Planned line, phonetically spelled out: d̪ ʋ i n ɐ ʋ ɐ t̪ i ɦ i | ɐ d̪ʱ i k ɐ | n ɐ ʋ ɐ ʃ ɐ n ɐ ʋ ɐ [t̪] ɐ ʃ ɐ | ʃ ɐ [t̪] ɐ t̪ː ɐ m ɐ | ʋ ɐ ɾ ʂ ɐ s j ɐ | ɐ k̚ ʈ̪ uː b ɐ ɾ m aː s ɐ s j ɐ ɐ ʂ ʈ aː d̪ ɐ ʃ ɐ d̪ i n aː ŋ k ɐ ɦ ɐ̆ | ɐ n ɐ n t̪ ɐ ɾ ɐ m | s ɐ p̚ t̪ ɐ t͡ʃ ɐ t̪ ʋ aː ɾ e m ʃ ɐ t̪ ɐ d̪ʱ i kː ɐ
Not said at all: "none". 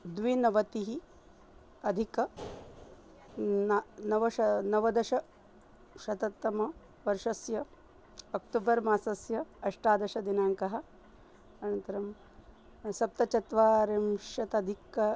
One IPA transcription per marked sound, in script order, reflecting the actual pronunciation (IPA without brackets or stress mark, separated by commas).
d̪, t̪